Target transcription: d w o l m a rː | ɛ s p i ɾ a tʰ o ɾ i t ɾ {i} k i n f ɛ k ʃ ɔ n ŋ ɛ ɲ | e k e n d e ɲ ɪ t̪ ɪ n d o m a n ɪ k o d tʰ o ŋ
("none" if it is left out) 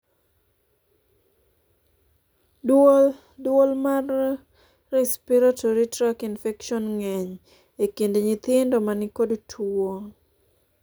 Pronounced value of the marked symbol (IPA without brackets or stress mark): a